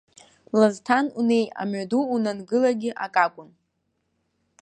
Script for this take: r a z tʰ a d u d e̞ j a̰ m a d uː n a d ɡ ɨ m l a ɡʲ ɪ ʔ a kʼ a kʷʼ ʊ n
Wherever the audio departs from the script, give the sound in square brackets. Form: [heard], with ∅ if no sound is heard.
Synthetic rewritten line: [l] a z tʰ a [n] u [n] e̞ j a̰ m a d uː n a [n] ɡ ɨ [∅] l a ɡʲ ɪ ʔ a kʼ a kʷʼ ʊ n